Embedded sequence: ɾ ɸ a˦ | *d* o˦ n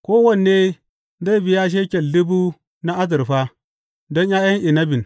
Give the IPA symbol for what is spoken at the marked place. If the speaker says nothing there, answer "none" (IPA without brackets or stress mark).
d